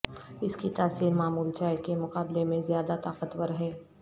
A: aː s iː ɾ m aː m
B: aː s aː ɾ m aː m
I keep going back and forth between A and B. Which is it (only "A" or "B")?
A